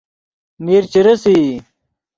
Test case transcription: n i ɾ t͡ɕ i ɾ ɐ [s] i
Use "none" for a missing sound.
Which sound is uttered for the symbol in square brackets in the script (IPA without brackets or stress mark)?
s